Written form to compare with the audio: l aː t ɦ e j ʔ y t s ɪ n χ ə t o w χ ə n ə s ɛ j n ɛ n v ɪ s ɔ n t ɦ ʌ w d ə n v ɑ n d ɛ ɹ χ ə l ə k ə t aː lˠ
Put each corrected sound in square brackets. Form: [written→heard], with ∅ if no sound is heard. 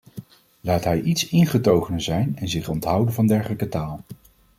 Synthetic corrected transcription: l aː t ɦ [e→ɛ] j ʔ [y→i] t s ɪ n χ ə t o w χ ə n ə [s→z] ɛ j n ɛ n [v→z] ɪ [s→χ] ɔ n t ɦ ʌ w d ə n v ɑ n d ɛ ɹ χ ə l ə k ə t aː lˠ